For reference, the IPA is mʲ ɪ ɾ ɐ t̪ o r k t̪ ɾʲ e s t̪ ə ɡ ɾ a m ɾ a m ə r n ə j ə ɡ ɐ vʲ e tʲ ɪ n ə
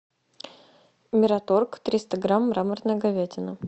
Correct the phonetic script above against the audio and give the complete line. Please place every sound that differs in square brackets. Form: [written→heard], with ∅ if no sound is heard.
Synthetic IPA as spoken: mʲ ɪ ɾ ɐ t̪ o r k t̪ ɾʲ [e→i] s t̪ ə ɡ ɾ a m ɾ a m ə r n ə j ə ɡ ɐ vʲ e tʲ ɪ n ə